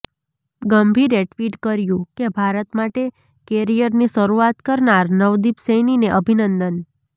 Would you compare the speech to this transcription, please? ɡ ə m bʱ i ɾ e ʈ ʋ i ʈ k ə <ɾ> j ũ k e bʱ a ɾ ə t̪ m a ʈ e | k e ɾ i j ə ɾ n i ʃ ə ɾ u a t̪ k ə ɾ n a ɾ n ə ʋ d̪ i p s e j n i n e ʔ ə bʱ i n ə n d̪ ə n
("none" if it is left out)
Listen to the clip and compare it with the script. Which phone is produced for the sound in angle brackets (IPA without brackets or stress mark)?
ɾ